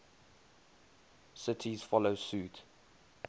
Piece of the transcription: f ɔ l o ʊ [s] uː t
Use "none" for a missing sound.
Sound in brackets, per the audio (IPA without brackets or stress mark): s